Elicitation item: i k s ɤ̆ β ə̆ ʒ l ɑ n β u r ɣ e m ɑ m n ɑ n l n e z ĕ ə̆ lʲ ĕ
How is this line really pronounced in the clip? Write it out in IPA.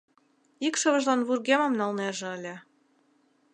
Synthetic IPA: i k ʃ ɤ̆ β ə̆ ʒ l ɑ n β u r ɣ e m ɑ m n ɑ l n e ʒ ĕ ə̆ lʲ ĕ